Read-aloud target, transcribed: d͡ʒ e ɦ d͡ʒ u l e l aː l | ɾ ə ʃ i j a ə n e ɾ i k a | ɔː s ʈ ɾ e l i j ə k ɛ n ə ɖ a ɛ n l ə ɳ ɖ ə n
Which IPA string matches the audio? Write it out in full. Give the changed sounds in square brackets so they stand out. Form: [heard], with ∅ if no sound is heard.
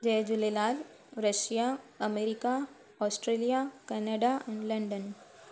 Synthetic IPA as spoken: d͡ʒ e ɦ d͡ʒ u l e l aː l | ɾ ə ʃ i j a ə [m] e ɾ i k a | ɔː s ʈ ɾ e l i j [a] k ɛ n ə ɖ a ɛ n l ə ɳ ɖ ə n